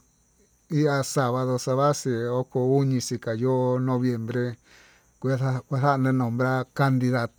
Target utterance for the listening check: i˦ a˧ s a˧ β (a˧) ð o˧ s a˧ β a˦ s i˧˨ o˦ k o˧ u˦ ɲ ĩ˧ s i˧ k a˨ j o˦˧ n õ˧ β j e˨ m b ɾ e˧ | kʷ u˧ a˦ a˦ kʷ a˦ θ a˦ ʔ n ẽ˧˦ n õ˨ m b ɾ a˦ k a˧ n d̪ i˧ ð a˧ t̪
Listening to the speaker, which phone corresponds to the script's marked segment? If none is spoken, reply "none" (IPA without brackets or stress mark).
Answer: a˧